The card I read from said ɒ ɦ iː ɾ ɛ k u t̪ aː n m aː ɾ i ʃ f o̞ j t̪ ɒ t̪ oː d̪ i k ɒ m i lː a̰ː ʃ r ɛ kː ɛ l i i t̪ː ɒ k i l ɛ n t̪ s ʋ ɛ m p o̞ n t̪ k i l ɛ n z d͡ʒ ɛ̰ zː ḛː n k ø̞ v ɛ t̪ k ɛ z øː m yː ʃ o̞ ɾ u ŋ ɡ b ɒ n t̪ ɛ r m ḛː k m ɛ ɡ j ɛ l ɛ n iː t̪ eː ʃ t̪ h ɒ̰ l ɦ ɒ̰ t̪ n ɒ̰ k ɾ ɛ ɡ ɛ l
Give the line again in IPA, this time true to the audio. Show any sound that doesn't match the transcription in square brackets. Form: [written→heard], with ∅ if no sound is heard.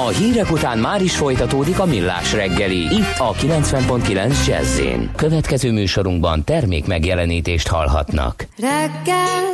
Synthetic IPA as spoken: ɒ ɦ iː ɾ ɛ k u t̪ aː n m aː ɾ i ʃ f o̞ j t̪ ɒ t̪ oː d̪ i k ɒ m i lː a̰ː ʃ r ɛ [kː→ɡː] ɛ l i i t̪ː ɒ k i l ɛ n t̪ s ʋ ɛ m p o̞ n t̪ k i l ɛ n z d͡ʒ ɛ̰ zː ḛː n k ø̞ v ɛ t̪ k ɛ z øː m yː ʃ o̞ ɾ u ŋ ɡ b ɒ n t̪ ɛ r m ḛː k m ɛ ɡ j ɛ l ɛ n iː t̪ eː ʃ t̪ h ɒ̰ l ɦ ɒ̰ t̪ n ɒ̰ k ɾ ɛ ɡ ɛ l